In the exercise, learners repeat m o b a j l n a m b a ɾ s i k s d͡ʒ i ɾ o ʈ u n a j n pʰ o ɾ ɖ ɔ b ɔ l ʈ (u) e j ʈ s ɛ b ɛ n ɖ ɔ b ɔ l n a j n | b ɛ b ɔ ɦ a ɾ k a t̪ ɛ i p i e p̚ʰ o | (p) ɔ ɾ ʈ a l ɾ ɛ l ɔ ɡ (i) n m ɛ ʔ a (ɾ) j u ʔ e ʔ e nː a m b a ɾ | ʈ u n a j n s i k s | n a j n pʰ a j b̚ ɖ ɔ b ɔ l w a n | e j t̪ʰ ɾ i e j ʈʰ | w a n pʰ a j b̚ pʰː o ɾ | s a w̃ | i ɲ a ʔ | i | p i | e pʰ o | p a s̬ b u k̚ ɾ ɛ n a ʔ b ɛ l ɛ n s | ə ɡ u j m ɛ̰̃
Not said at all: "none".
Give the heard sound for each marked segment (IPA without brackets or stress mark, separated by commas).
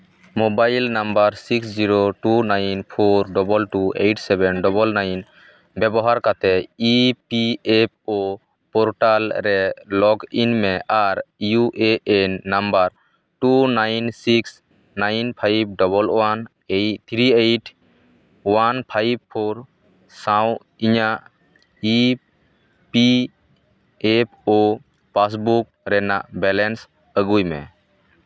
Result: u, p, i, ɾ